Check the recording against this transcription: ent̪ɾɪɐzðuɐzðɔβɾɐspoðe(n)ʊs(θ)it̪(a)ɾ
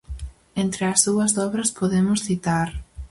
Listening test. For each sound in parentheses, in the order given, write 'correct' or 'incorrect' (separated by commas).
incorrect, correct, correct